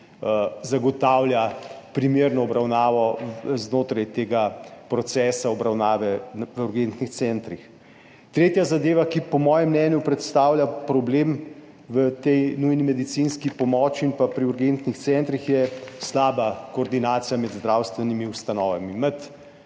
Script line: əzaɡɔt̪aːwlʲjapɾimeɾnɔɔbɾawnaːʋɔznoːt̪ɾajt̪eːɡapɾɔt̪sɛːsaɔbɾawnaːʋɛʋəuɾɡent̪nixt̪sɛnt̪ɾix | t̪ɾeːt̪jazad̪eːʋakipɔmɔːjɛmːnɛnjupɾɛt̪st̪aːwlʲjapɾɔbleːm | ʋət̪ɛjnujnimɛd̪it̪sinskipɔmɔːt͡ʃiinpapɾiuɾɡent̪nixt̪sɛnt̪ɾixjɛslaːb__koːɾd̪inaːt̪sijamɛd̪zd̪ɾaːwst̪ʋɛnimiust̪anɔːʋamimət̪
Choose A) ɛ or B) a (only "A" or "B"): B